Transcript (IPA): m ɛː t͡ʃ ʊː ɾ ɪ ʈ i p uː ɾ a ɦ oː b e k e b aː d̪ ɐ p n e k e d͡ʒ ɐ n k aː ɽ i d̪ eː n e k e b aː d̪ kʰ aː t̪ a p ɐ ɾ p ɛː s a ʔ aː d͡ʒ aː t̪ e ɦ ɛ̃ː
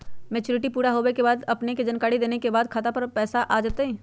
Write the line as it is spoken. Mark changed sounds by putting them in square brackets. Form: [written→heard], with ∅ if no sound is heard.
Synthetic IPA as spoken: m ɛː t͡ʃ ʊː ɾ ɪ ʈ i p uː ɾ a ɦ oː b e k e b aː d̪ ɐ p n e k e d͡ʒ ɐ n k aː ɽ i d̪ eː n e k e b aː d̪ kʰ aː t̪ a p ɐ ɾ p ɛː s a ʔ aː d͡ʒ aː t̪ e ɦ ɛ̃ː